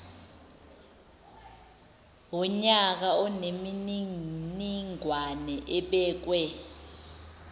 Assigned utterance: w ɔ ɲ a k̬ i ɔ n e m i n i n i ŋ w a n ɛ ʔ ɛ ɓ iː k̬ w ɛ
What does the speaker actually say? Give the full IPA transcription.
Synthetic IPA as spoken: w ɔ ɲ a k̬ a ɔ n e m i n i n i ŋ w a n ɛ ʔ ɛ ɓ ɛː k̬ w ɛ